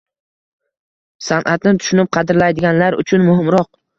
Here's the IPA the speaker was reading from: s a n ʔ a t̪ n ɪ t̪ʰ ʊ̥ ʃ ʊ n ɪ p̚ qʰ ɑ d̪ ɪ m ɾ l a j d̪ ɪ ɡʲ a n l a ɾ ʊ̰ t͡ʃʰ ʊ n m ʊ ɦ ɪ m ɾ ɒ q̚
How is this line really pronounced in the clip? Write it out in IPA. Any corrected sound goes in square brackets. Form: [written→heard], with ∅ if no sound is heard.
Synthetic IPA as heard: s a n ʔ a t̪ n ɪ t̪ʰ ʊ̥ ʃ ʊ n ɪ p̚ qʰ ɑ d̪ ɪ [m→∅] ɾ l a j d̪ ɪ ɡʲ a n l a ɾ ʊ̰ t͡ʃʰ ʊ n m ʊ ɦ ɪ m ɾ ɒ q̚